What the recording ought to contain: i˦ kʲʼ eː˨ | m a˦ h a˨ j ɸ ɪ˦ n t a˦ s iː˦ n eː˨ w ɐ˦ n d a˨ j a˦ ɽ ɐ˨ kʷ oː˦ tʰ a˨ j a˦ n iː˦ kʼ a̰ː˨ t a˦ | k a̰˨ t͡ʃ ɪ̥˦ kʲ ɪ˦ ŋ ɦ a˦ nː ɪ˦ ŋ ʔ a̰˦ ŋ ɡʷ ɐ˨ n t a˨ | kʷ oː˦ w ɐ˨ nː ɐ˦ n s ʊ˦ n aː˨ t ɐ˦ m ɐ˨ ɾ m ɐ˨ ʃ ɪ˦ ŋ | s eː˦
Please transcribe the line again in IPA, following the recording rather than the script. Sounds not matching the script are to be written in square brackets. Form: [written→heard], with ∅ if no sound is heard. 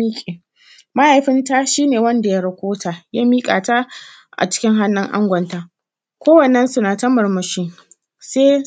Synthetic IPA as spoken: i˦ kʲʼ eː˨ | m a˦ h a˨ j ɸ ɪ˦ n t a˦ [s→ʃ] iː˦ n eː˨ w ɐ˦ n d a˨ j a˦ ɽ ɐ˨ kʷ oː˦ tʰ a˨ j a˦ [n→m] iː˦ kʼ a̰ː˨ t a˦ | [k→ʔ] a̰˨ t͡ʃ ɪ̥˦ kʲ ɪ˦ ŋ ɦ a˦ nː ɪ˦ ŋ ʔ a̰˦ ŋ ɡʷ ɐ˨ n t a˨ | kʷ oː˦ w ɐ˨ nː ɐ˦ n s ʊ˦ n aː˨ t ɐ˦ m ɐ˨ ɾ m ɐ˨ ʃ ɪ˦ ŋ | s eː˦